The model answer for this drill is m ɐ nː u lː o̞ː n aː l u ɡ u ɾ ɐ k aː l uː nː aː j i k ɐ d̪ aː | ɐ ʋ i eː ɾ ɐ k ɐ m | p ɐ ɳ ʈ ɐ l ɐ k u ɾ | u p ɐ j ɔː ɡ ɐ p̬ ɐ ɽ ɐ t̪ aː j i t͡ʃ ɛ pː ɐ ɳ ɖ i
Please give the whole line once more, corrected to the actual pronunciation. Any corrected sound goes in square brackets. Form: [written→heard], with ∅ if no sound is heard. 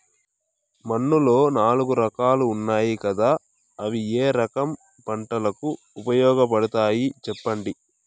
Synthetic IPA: m ɐ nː u [lː→l] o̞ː n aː l u ɡ u ɾ ɐ k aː l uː nː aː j i k ɐ d̪ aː | ɐ ʋ i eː ɾ ɐ k ɐ m | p ɐ ɳ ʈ ɐ l ɐ k u [ɾ→∅] | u p ɐ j ɔː ɡ ɐ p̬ ɐ ɽ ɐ t̪ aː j i t͡ʃ ɛ pː ɐ ɳ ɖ i

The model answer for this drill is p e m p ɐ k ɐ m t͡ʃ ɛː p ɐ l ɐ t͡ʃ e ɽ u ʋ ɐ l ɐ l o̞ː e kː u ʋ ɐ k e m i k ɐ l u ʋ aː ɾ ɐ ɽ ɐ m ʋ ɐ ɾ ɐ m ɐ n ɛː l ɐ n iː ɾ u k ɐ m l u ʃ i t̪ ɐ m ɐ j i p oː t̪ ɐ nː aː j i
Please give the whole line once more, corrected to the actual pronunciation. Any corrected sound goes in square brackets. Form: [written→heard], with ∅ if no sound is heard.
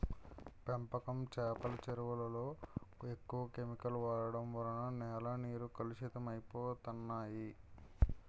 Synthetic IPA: p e m p ɐ k ɐ m t͡ʃ ɛː p ɐ l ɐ t͡ʃ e [ɽ→ɾ] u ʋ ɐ l ɐ l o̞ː e kː u ʋ ɐ k e m i k ɐ l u ʋ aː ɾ ɐ ɽ ɐ m ʋ ɐ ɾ ɐ [m→n] ɐ n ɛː l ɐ n iː ɾ u k ɐ [m→∅] l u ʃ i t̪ ɐ m ɐ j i p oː t̪ ɐ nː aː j i

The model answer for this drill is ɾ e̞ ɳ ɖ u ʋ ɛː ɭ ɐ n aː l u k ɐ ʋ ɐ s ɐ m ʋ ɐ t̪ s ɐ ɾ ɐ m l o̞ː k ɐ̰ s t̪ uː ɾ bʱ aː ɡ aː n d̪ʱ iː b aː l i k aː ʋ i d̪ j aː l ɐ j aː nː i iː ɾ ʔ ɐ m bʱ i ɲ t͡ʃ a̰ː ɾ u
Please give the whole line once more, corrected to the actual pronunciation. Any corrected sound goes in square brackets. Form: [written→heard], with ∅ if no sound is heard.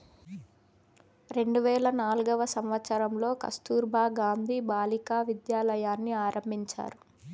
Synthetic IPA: ɾ e̞ ɳ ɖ u ʋ ɛː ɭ ɐ n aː l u [k→ɡ] ɐ ʋ ɐ s ɐ m ʋ ɐ t̪ s ɐ ɾ ɐ m l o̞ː k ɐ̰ s t̪ uː ɾ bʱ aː ɡ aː n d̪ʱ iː b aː l i k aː ʋ i d̪ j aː l ɐ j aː nː i [iː→aː] ɾ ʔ ɐ m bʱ i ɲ t͡ʃ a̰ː ɾ u

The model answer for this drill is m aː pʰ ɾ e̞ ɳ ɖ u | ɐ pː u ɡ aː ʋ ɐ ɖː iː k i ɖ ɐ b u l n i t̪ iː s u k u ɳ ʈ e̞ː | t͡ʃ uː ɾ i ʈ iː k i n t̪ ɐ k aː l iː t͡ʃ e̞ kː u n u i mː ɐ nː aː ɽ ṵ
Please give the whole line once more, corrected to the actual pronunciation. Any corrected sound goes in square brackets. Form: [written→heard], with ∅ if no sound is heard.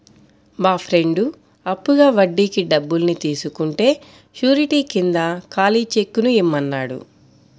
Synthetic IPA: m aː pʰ ɾ e̞ ɳ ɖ u | ɐ pː u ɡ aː ʋ ɐ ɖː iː k i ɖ ɐ [b→bː] u l n i t̪ iː s u k u ɳ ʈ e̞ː | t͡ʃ uː ɾ i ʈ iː k i n [t̪→d̪] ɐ k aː l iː t͡ʃ e̞ kː u n u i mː ɐ nː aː ɽ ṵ

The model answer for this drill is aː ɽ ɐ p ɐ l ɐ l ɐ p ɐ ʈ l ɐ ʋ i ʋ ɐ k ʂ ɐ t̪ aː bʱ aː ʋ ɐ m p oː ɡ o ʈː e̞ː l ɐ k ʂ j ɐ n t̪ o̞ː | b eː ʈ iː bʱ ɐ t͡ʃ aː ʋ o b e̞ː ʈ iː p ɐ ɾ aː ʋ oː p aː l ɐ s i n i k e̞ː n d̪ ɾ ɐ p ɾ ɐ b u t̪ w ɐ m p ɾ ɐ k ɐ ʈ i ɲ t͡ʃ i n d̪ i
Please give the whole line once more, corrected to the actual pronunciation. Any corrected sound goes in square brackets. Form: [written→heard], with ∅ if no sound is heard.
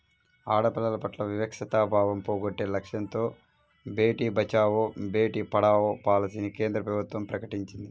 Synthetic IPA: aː ɽ ɐ p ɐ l ɐ l ɐ p ɐ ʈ l ɐ ʋ i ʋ ɐ k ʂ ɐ t̪ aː bʱ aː ʋ ɐ m p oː ɡ o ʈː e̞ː l ɐ k ʂ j ɐ n t̪ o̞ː | b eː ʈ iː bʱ ɐ t͡ʃ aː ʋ o b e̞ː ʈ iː p ɐ [ɾ→ɽ] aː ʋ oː p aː l ɐ s i n i k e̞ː n d̪ ɾ ɐ p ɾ ɐ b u t̪ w ɐ m p ɾ ɐ k ɐ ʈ i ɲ t͡ʃ i n d̪ i

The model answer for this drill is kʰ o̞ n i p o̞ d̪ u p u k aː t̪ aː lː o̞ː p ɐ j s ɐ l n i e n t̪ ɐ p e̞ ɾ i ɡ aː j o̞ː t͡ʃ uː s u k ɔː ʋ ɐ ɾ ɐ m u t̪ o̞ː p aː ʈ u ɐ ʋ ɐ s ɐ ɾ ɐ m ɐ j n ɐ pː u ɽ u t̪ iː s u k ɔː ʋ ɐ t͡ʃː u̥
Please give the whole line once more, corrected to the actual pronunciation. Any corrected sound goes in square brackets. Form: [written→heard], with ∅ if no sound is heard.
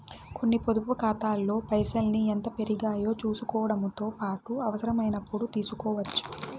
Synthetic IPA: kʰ o̞ [n→nː] i p o̞ d̪ u p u k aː t̪ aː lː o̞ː p ɐ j s ɐ l n i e n t̪ ɐ p e̞ ɾ i ɡ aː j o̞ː t͡ʃ uː s u k ɔː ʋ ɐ [ɾ→ɽ] ɐ m u t̪ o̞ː p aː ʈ u ɐ ʋ ɐ s ɐ ɾ ɐ m ɐ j n ɐ pː u ɽ u t̪ iː s u k ɔː ʋ ɐ t͡ʃː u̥

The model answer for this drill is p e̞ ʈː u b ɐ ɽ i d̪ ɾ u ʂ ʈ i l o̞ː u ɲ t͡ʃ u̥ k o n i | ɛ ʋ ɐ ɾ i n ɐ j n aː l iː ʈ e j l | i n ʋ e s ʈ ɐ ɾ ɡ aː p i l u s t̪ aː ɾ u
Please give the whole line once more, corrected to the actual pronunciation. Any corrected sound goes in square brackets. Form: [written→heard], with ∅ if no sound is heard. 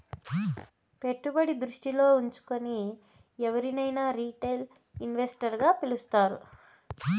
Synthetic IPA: p e̞ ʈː u b ɐ ɽ i d̪ ɾ u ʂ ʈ i l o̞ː u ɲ t͡ʃ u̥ k o n i | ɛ ʋ ɐ ɾ i n ɐ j n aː [l→ɾ] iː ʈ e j l | i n ʋ e s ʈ ɐ ɾ ɡ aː p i l u s t̪ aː ɾ u

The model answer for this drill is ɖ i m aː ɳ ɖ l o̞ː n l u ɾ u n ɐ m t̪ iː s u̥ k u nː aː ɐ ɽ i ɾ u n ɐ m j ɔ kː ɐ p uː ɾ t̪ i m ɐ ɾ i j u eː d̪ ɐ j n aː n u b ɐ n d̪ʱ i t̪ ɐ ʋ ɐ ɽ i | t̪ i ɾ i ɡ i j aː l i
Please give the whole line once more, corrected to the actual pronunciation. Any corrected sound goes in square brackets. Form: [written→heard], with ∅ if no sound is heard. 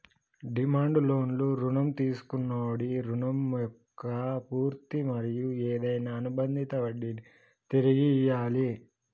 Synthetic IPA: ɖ i m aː ɳ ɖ l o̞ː n l u ɾ u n ɐ m t̪ iː s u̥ k u nː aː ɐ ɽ i ɾ u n ɐ m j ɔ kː ɐ p uː ɾ t̪ i m ɐ ɾ i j u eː d̪ ɐ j n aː n u b ɐ n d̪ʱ i t̪ ɐ ʋ ɐ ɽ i | t̪ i ɾ i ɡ i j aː l i

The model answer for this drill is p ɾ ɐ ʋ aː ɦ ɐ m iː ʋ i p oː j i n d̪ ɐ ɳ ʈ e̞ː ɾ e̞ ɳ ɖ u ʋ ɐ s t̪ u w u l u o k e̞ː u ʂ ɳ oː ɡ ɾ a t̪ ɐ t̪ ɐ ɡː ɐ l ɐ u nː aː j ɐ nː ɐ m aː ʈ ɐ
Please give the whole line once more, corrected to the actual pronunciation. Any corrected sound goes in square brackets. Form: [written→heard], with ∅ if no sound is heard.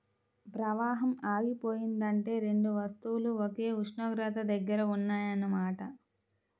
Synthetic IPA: p ɾ ɐ ʋ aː ɦ ɐ m [iː→aː] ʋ i p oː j i n d̪ ɐ ɳ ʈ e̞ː ɾ e̞ ɳ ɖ u ʋ ɐ s t̪ u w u l u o k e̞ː u ʂ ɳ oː ɡ ɾ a t̪ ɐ [t̪→d̪] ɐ ɡː ɐ [l→ɾ] ɐ u nː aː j ɐ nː ɐ m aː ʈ ɐ

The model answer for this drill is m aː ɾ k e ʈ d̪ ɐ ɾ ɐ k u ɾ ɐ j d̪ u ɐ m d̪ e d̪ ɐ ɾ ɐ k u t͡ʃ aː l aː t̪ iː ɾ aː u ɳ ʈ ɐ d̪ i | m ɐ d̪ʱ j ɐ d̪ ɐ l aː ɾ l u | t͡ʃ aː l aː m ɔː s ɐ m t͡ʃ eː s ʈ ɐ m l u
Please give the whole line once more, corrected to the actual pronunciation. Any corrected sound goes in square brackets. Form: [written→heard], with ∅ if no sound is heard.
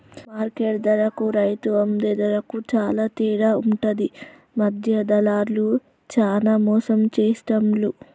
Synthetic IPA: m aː ɾ k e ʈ d̪ ɐ ɾ ɐ k u ɾ ɐ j [d̪→t̪] u ɐ m d̪ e d̪ ɐ ɾ ɐ k u t͡ʃ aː l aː t̪ iː ɾ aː u ɳ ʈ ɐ d̪ i | m ɐ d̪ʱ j ɐ d̪ ɐ l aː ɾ l u | t͡ʃ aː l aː m ɔː s ɐ m t͡ʃ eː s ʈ ɐ m l u

